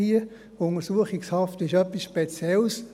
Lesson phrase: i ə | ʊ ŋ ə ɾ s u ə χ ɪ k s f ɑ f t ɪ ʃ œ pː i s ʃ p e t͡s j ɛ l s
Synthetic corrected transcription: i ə | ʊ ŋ ə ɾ s u ə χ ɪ k s h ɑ f t ɪ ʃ œ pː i s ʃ p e t͡s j ɛ l s